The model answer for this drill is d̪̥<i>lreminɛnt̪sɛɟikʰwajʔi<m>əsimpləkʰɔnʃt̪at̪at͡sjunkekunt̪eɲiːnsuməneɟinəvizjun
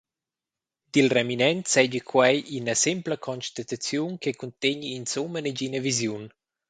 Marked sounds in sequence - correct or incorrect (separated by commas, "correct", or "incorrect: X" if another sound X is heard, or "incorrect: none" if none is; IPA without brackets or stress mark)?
correct, incorrect: n